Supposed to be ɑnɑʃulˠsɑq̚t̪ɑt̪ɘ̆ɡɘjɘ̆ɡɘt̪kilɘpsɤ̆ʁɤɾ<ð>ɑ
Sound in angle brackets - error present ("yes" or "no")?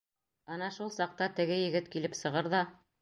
no